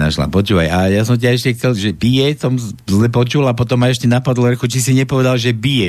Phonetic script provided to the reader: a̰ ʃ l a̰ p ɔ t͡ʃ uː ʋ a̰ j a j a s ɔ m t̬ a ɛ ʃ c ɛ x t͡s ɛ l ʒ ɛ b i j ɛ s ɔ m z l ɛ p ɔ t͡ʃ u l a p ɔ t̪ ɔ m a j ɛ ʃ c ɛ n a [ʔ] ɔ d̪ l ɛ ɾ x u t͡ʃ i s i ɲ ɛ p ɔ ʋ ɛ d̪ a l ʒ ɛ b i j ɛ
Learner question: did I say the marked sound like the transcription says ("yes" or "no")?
no